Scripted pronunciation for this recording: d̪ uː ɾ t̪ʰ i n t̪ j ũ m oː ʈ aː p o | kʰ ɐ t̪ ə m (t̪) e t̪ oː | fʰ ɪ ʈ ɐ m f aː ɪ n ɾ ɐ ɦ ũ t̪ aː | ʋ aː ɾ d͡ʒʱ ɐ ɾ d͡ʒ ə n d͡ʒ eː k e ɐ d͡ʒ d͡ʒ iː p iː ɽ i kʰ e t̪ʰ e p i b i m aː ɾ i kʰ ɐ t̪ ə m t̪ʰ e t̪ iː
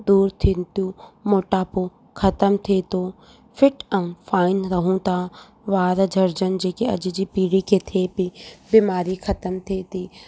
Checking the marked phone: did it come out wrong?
yes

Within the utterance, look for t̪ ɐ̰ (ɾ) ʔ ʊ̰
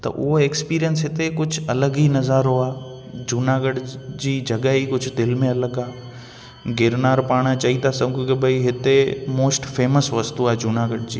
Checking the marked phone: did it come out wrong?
yes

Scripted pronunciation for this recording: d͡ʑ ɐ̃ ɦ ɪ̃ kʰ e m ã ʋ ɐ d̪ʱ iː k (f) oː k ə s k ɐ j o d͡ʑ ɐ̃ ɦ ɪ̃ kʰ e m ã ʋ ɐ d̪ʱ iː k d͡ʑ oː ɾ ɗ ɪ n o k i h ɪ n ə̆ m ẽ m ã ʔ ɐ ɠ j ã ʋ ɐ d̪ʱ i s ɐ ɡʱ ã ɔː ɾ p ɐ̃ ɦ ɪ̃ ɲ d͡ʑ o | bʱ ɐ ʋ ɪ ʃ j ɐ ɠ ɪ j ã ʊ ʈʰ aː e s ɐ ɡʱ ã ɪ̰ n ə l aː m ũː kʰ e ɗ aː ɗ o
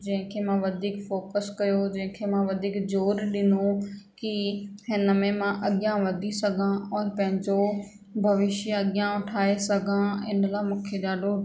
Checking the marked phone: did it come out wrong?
no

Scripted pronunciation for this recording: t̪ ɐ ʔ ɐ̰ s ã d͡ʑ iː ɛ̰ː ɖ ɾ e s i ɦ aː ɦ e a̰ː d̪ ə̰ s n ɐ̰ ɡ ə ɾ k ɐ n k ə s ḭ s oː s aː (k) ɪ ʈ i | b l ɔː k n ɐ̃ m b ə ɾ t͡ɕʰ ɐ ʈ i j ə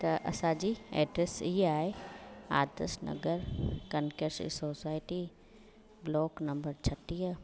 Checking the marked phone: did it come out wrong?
yes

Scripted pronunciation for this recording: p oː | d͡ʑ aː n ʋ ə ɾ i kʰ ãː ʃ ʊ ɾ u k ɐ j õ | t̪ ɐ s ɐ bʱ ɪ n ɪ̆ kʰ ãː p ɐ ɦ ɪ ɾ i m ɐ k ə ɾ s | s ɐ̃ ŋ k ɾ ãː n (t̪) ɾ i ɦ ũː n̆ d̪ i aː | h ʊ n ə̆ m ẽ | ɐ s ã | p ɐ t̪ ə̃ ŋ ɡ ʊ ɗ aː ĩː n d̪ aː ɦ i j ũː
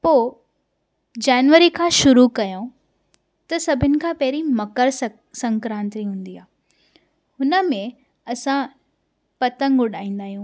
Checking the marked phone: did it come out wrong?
no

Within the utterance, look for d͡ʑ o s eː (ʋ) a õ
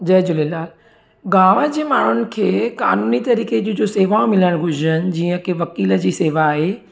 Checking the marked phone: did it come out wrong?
no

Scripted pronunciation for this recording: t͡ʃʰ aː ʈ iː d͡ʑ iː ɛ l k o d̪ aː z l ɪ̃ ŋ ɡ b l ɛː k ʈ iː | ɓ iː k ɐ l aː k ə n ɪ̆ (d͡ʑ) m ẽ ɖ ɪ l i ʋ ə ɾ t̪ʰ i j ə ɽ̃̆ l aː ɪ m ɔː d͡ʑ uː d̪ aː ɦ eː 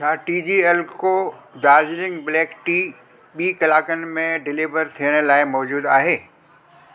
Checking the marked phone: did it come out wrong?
yes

